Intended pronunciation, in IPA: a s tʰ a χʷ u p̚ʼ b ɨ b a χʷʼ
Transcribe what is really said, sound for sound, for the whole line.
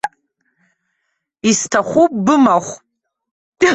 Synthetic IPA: i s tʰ a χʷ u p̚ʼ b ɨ m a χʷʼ